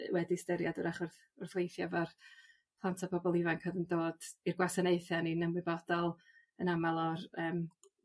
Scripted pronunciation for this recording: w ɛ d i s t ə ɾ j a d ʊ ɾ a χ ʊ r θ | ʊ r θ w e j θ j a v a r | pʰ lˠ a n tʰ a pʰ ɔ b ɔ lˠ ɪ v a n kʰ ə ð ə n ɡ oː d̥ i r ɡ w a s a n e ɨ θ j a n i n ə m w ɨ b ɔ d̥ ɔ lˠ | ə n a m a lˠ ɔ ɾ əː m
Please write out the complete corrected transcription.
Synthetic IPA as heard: w ɛ d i s t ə ɾ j a d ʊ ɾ a χ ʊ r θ | ʊ r θ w e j θ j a v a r | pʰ lˠ a n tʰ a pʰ ɔ b ɔ lˠ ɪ v a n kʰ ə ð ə n d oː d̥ i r ɡ w a s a n e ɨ θ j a n i n ə m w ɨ b ɔ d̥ ɔ lˠ | ə n a m a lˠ ɔ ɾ əː m

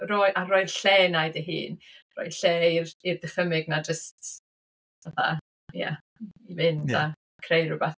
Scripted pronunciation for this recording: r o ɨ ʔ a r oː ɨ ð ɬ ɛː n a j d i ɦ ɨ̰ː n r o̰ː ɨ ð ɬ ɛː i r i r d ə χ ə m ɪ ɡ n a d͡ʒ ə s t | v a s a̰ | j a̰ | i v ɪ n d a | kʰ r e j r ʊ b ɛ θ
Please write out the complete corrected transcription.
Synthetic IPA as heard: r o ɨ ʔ a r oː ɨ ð ɬ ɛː n a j d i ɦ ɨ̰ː n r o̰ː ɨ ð ɬ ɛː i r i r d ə χ ə m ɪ ɡ n a d͡ʒ ə s t | v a θ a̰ | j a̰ | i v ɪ n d a | kʰ r e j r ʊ b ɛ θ

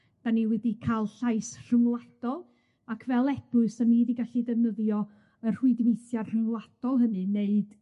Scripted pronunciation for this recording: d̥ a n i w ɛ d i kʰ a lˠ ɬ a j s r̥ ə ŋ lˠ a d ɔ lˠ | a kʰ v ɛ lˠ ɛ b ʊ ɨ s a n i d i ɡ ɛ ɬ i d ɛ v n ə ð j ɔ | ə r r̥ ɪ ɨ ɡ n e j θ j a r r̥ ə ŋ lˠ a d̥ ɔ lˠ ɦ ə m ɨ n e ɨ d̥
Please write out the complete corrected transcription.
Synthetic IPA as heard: d̥ a n i w ɛ d i kʰ a lˠ ɬ a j s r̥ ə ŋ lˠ a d ɔ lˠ | a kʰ v ɛ lˠ ɛ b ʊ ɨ s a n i d i ɡ a ɬ i d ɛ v n ə ð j ɔ | ə r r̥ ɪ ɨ d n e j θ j a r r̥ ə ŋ lˠ a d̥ ɔ lˠ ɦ ə n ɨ n e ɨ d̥

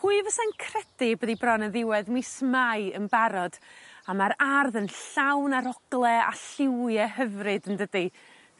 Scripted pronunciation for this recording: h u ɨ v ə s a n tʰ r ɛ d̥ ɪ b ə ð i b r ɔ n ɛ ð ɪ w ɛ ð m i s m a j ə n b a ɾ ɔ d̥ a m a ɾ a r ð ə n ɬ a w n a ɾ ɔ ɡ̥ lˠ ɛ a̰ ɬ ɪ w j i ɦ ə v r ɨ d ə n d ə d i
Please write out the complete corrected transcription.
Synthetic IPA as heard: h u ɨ v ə s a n kʰ r ɛ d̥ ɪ b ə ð i b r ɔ n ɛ ð ɪ w ɛ ð m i s m a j ə n b a ɾ ɔ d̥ a m a ɾ a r ð ə n ɬ a w n a ɾ ɔ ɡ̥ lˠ ɛ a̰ ɬ ɪ w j ɛ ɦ ə v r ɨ d ə n d ə d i

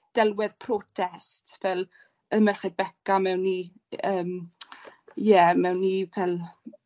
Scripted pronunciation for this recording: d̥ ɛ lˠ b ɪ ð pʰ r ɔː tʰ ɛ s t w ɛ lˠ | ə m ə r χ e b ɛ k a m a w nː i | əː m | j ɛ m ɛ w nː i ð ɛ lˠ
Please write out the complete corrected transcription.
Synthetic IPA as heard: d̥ ɛ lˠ w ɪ ð pʰ r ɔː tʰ ɛ s t v ɛ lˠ | ə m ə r χ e b ɛ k a m ɛ w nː i | əː m | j ɛ m ɛ w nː i v ɛ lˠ

